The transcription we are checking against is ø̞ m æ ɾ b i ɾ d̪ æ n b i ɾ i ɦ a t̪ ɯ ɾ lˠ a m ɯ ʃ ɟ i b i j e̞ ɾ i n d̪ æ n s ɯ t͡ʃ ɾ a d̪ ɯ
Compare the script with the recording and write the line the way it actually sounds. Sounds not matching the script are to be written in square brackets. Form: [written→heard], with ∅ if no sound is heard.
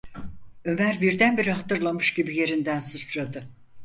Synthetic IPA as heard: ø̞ m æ ɾ b i ɾ d̪ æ n b i ɾ i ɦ a t̪ ɯ ɾ lˠ a m ɯ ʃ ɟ i b i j e̞ ɾ i n d̪ æ n s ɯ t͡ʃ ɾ a d̪ ɯ